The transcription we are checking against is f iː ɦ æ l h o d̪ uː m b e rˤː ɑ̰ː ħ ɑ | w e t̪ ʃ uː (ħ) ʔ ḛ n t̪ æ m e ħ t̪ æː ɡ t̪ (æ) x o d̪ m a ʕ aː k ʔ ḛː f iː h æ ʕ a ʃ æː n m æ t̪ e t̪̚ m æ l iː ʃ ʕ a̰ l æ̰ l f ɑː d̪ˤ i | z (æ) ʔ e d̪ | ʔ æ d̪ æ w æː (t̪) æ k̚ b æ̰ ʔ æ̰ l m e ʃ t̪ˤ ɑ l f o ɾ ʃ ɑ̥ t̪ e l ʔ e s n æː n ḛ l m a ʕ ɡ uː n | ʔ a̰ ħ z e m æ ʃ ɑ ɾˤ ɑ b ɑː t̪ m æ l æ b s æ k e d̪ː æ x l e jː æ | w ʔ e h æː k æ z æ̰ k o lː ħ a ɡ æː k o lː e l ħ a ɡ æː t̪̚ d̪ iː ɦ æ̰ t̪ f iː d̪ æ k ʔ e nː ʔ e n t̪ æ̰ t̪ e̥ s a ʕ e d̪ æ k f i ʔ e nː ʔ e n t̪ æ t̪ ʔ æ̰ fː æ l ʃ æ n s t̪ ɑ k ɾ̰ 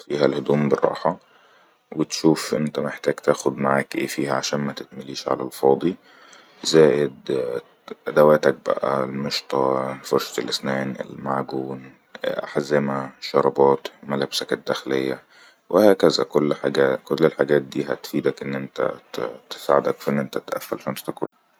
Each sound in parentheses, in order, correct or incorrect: incorrect, incorrect, incorrect, correct

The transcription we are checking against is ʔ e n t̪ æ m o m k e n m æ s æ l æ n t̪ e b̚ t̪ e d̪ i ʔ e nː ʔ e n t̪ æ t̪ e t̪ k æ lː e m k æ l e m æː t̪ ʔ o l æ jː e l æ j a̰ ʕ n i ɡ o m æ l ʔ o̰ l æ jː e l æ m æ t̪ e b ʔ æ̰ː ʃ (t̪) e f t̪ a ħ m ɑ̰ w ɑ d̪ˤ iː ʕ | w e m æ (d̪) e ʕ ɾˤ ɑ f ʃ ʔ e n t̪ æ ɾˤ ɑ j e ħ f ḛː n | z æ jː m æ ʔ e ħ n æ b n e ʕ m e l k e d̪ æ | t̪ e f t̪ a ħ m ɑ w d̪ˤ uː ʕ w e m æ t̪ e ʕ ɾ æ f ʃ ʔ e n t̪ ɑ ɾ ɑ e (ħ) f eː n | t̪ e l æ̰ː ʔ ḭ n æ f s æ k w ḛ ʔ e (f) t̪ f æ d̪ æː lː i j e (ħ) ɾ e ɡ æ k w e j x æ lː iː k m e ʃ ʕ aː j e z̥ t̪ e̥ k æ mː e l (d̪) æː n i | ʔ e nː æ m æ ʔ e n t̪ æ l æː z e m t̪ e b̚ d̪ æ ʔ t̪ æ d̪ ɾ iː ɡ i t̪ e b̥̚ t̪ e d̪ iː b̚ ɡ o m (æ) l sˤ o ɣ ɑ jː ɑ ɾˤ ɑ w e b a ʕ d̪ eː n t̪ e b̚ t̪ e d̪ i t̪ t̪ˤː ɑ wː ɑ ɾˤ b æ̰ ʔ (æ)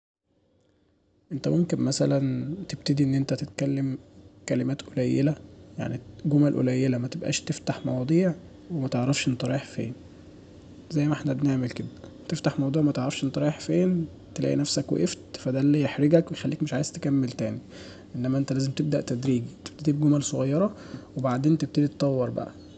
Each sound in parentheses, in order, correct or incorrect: correct, incorrect, correct, correct, correct, incorrect, correct, correct

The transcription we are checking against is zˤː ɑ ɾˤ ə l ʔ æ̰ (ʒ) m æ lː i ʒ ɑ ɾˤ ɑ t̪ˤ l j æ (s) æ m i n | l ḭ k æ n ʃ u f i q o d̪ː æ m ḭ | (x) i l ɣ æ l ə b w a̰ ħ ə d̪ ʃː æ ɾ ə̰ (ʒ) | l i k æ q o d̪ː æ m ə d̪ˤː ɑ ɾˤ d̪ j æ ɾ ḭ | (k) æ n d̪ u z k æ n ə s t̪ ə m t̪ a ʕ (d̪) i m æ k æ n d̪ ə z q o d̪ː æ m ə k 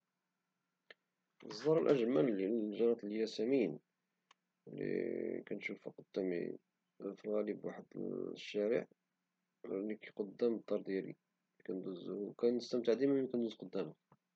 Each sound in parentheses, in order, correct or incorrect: correct, correct, incorrect, incorrect, correct, correct

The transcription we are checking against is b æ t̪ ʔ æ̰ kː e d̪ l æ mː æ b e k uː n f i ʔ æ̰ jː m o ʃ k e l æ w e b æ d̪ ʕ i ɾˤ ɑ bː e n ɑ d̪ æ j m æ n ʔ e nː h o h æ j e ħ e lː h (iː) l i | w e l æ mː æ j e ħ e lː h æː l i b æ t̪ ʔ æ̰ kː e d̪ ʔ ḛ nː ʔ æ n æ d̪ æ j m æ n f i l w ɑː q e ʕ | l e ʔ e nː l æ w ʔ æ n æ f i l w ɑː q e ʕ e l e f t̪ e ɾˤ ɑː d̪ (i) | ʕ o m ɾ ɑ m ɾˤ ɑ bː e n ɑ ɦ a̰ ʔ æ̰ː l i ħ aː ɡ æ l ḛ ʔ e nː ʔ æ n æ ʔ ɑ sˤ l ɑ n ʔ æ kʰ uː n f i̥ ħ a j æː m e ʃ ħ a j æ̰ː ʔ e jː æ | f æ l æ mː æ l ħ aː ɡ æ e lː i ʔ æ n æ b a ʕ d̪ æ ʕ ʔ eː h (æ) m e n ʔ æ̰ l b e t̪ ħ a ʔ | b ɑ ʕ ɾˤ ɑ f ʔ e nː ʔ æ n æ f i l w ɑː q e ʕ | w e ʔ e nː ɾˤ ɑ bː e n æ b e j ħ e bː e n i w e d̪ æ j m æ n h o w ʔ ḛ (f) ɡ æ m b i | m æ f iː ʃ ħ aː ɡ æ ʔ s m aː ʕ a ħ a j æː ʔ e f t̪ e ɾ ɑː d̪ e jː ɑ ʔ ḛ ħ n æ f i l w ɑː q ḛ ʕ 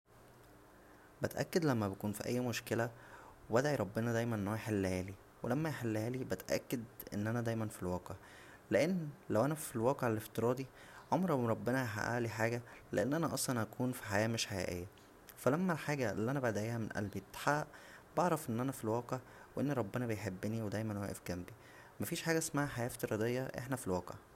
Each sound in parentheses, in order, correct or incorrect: incorrect, correct, correct, correct

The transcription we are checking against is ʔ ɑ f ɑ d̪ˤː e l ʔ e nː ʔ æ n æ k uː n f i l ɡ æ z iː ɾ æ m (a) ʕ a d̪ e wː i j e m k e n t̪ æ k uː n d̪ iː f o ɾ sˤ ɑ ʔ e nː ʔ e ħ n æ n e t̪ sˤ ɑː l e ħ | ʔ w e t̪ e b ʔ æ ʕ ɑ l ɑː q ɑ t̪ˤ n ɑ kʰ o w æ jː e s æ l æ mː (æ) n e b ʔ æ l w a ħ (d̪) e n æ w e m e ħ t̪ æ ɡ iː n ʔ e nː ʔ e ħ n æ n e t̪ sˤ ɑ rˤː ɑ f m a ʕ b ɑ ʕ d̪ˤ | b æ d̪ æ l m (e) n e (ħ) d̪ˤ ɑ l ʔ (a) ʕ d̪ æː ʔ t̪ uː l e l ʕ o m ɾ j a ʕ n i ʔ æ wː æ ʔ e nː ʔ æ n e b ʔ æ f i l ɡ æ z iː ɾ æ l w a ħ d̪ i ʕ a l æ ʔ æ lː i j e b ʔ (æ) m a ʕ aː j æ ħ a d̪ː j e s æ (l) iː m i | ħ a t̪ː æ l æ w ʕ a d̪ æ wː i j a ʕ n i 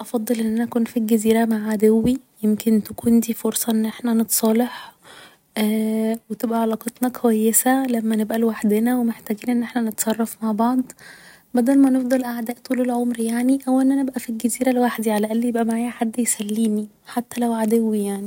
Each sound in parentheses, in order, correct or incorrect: correct, correct, correct, incorrect, incorrect, correct, correct, incorrect

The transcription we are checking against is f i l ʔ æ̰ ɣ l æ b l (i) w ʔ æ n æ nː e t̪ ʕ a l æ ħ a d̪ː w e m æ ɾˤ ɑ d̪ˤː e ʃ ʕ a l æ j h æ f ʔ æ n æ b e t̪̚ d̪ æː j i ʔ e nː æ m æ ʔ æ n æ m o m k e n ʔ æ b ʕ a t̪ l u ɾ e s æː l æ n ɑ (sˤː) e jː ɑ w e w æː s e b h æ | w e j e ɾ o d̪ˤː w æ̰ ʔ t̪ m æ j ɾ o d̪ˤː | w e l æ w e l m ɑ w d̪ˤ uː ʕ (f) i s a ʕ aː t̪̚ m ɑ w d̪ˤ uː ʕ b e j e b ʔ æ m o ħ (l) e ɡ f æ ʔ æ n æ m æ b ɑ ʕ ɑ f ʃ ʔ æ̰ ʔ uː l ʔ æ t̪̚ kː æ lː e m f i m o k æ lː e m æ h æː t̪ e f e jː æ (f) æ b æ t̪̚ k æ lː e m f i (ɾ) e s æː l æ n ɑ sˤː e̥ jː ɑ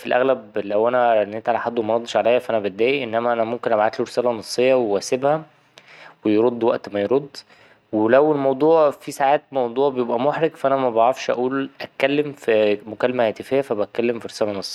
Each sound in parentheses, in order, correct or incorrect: incorrect, correct, correct, incorrect, correct, correct

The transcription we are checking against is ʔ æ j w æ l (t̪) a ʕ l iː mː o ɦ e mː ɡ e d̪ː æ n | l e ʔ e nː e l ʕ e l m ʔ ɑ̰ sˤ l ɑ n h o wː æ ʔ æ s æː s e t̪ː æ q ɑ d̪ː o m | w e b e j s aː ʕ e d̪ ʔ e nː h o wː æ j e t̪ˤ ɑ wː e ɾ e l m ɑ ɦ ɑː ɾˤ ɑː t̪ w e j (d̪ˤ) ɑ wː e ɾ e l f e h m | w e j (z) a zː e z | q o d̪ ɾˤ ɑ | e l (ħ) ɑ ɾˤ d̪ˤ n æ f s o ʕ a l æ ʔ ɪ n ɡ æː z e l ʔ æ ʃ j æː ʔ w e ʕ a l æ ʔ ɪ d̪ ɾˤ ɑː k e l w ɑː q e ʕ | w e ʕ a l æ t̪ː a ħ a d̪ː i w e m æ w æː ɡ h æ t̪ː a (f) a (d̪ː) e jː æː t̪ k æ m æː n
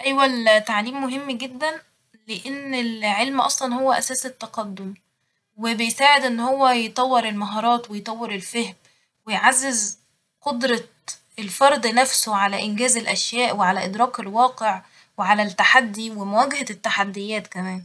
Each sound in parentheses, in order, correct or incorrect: correct, incorrect, incorrect, incorrect, incorrect, correct

